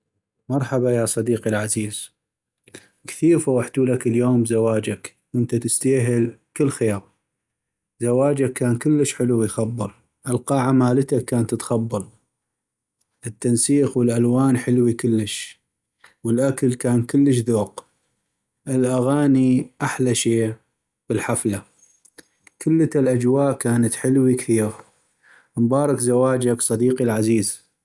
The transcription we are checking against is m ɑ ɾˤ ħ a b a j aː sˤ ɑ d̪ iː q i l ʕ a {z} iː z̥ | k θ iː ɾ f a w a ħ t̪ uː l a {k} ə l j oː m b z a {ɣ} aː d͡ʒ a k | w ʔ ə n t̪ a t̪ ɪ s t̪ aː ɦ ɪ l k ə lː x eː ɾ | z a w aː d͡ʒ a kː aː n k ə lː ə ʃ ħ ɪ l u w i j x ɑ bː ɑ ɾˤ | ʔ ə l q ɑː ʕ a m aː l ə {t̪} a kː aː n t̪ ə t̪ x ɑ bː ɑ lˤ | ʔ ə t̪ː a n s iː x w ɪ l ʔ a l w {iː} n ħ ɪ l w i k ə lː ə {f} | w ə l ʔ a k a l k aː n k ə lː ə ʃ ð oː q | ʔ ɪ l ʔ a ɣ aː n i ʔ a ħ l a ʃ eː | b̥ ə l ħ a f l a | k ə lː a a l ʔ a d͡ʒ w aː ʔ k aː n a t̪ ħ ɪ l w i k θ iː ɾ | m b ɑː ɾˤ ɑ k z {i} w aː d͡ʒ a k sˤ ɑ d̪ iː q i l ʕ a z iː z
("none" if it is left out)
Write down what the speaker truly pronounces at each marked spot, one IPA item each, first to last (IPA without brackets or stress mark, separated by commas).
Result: z, k, w, t̪, aː, ʃ, a